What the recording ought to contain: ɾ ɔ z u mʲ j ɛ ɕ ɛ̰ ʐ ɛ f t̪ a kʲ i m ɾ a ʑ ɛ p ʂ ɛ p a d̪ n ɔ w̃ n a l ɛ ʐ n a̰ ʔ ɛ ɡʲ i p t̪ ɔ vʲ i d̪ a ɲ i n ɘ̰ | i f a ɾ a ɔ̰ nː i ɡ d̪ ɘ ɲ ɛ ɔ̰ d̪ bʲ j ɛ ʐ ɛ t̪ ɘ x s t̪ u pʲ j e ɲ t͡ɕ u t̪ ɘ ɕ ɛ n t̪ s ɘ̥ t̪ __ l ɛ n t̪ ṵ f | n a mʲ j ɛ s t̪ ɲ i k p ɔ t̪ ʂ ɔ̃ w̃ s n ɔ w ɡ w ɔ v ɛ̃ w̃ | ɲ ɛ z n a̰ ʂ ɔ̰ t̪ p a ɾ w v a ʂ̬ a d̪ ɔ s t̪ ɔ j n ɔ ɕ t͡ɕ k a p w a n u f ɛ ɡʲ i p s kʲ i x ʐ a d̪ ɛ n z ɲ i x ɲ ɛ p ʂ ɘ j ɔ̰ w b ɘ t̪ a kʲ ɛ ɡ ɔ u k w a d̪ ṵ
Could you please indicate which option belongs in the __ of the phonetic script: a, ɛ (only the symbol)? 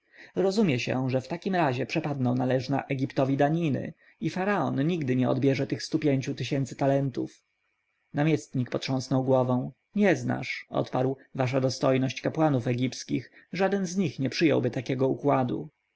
a